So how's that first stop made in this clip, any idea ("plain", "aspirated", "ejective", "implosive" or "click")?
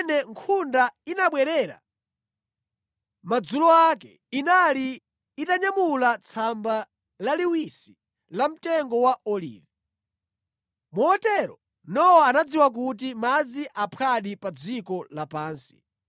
aspirated